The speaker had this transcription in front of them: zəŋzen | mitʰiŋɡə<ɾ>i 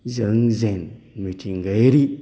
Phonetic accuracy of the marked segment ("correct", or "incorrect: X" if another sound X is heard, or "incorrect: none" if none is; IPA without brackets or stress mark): correct